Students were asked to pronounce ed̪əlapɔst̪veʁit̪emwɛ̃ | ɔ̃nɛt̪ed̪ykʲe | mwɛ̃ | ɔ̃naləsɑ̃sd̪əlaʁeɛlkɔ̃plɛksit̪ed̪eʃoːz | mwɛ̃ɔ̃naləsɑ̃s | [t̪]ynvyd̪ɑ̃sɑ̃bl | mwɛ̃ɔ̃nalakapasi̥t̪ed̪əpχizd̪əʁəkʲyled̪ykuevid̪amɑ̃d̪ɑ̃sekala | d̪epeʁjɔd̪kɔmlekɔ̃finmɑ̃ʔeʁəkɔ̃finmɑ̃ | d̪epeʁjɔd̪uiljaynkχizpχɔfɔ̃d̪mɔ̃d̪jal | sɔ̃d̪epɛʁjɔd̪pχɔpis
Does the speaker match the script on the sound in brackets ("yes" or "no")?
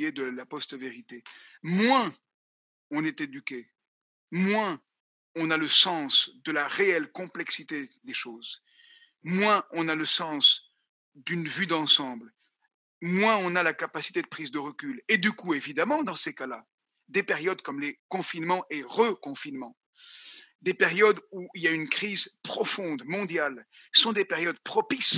no